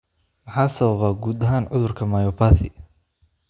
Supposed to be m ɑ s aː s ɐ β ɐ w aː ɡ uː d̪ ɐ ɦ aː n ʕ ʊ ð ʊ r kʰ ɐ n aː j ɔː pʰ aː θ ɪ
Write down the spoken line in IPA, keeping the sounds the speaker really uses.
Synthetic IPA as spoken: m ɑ ħ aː s ɐ β ɐ β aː ɡ uː d̪ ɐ ɦ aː n ʕ ʊ ð ʊ r kʰ ɐ m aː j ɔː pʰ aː θ ɪ